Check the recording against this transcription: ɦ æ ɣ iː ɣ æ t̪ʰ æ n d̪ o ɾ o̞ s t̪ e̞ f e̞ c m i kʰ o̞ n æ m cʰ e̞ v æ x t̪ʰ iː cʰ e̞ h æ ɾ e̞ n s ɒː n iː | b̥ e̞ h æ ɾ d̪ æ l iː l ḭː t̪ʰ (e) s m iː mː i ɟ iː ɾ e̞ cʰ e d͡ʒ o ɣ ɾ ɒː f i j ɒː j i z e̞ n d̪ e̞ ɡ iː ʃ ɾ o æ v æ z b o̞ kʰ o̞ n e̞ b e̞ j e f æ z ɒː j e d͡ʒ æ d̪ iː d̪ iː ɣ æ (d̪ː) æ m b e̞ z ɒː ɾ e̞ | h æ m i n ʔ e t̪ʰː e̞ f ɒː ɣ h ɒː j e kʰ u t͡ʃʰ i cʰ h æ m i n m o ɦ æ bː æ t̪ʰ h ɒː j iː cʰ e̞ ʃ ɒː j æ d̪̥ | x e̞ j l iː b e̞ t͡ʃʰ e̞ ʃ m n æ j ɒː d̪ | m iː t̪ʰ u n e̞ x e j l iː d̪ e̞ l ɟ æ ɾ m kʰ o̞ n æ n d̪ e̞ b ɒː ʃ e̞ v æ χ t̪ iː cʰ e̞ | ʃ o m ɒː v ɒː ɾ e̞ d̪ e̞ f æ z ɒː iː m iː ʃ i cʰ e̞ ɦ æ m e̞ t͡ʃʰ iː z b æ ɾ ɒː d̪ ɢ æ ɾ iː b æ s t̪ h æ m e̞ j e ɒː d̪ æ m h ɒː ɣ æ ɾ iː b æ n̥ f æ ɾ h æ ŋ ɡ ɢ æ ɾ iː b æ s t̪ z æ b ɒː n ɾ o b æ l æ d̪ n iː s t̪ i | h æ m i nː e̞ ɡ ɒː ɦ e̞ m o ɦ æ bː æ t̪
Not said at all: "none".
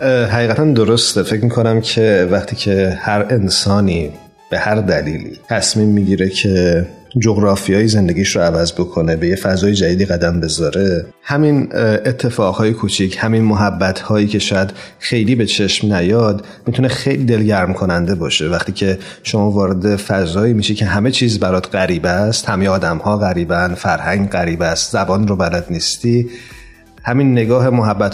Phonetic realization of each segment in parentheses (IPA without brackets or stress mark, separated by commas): æ, d̪